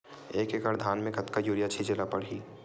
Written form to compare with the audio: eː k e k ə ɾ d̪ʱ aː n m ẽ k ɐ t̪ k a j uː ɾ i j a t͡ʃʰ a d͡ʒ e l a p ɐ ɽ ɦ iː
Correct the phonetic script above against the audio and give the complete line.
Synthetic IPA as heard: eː k e k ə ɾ d̪ʱ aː n m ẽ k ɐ t̪ k a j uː ɾ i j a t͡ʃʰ i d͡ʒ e l a p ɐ ɽ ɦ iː